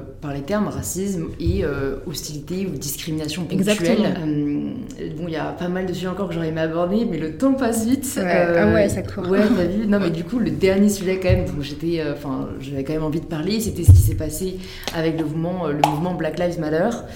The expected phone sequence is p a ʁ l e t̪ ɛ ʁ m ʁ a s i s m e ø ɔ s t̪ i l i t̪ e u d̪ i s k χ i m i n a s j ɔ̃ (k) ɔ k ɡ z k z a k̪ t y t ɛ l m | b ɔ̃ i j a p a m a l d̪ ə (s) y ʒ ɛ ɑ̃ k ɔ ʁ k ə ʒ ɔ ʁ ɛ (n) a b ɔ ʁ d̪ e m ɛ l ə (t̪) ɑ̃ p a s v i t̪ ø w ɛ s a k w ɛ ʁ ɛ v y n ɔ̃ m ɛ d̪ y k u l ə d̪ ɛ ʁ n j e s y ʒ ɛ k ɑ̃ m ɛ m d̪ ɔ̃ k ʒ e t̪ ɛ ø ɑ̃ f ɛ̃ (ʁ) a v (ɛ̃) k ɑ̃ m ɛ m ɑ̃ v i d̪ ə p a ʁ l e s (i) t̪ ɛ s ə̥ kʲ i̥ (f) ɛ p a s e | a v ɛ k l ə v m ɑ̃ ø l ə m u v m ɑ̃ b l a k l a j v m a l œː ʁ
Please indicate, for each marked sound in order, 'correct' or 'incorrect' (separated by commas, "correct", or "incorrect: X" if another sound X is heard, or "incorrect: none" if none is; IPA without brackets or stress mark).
incorrect: p, correct, incorrect: m, correct, incorrect: ʒ, incorrect: ɛ, incorrect: e, incorrect: s